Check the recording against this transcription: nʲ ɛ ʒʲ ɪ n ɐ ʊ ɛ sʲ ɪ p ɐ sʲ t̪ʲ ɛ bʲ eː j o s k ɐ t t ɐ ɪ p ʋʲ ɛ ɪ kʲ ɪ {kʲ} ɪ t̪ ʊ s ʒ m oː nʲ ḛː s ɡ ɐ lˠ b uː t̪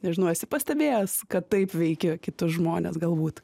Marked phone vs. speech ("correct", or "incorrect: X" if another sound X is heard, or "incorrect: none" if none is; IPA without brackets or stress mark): correct